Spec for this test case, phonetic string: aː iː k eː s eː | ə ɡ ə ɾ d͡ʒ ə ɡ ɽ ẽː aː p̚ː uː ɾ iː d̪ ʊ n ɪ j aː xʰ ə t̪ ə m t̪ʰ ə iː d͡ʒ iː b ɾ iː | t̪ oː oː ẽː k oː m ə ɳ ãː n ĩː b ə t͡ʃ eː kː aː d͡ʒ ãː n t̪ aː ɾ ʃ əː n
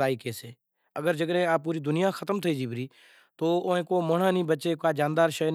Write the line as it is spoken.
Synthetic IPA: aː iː k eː s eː | ə ɡ ə ɾ d͡ʒ ə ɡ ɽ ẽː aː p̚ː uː ɾ iː d̪ ʊ n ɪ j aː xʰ ə t̪ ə m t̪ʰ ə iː d͡ʒ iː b ɾ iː | t̪ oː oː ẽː k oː m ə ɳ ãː n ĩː b ə t͡ʃ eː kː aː d͡ʒ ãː n d̪ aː ɾ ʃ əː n